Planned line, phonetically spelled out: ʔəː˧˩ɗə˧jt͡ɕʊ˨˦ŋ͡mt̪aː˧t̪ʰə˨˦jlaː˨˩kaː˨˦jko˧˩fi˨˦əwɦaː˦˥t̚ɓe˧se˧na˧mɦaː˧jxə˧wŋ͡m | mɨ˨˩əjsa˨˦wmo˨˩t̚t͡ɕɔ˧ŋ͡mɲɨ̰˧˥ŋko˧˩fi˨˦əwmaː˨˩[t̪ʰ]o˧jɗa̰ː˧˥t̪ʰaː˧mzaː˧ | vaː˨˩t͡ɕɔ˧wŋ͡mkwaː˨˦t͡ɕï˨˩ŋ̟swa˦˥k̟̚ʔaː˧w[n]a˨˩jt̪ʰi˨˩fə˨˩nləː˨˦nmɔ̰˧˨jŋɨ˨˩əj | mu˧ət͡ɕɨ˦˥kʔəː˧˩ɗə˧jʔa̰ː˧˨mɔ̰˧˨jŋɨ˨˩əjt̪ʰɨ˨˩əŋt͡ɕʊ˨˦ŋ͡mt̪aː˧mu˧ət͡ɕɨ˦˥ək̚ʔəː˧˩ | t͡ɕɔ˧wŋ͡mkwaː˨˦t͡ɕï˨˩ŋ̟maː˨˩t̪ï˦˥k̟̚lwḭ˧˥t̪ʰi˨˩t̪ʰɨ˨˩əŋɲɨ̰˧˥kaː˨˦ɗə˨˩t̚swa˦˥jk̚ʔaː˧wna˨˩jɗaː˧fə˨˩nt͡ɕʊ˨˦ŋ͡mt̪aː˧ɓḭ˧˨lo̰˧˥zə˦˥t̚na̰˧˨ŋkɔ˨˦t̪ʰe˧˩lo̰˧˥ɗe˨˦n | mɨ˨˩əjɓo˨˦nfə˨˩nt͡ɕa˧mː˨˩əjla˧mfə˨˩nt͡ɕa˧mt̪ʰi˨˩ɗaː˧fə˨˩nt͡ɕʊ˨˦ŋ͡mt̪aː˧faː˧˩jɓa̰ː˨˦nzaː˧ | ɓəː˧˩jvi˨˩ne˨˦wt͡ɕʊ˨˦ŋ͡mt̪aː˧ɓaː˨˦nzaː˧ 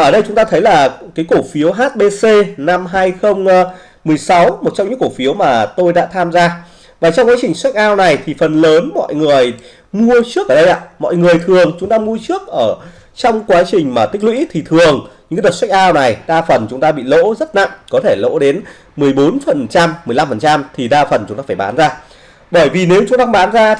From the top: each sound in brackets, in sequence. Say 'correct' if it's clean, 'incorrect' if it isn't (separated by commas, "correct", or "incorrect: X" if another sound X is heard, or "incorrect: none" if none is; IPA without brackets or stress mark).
incorrect: t̪, correct